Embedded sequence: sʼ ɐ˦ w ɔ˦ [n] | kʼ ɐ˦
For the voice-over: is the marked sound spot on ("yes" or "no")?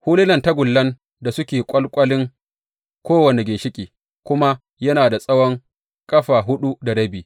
no